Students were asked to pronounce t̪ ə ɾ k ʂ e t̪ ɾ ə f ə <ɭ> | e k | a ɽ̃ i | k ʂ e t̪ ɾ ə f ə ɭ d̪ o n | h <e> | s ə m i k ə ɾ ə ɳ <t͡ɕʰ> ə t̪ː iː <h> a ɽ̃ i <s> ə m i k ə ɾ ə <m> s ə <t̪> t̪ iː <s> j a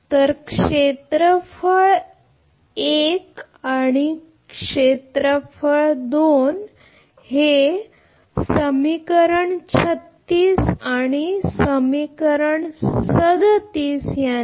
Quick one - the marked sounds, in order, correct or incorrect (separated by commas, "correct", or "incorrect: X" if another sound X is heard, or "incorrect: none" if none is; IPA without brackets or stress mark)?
correct, correct, correct, incorrect: s, correct, incorrect: ɳ, incorrect: d̪, correct